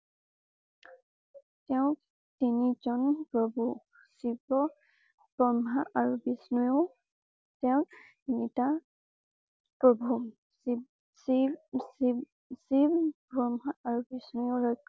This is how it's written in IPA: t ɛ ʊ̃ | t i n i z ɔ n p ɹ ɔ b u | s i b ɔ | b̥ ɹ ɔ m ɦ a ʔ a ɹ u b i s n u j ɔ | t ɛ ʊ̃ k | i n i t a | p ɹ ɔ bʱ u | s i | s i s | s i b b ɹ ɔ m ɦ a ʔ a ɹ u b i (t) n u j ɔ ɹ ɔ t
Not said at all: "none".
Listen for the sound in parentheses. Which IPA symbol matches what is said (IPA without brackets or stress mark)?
s